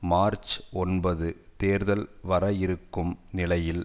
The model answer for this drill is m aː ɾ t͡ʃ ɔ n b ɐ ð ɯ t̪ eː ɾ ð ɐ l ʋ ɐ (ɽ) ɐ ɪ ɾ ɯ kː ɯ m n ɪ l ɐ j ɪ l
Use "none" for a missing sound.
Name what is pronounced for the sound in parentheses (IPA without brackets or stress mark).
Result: ɾ